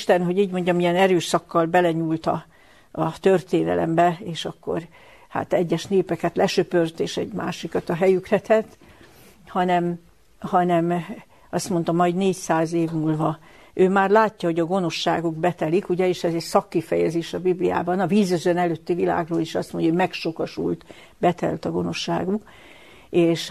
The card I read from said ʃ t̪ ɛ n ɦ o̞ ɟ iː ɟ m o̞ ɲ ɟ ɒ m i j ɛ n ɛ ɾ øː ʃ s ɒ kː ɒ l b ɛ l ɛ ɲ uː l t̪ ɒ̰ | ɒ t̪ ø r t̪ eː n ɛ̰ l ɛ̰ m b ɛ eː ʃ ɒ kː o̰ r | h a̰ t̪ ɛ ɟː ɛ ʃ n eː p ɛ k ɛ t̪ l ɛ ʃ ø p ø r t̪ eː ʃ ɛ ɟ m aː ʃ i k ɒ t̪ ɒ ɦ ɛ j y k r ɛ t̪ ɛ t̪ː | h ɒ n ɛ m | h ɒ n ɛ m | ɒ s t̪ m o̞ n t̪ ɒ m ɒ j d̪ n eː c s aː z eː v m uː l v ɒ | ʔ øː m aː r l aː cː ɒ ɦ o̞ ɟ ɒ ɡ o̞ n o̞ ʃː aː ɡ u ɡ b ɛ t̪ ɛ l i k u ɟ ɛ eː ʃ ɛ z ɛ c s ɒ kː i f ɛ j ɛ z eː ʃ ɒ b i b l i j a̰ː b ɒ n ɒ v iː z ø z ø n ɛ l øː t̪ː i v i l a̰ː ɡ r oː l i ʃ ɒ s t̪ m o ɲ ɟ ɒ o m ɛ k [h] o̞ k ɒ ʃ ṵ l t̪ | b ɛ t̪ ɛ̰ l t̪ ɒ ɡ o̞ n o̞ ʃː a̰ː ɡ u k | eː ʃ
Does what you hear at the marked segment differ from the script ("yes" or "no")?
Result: yes